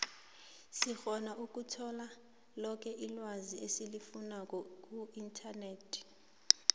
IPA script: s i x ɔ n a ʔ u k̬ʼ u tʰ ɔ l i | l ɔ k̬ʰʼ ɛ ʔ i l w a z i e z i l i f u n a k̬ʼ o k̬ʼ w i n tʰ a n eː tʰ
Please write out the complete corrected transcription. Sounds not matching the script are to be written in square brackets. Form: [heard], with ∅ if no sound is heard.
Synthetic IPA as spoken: s i x ɔ n a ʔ u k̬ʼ u tʰ ɔ l [a] | l ɔ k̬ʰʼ ɛ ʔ i l w a z i e [s] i l i f u n a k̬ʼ [ɔ] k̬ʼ [u] i n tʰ a n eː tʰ